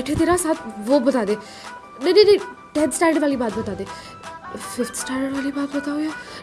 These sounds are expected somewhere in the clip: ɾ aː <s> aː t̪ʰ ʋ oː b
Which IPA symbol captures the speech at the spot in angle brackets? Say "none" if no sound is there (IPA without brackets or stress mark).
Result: s